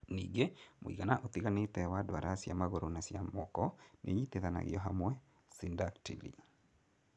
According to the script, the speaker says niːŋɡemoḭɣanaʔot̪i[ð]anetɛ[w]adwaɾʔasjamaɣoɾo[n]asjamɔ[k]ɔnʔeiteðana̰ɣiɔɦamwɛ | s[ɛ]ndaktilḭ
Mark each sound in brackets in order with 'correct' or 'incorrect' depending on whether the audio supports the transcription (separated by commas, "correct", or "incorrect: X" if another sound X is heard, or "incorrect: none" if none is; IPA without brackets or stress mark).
incorrect: ɣ, correct, correct, correct, incorrect: i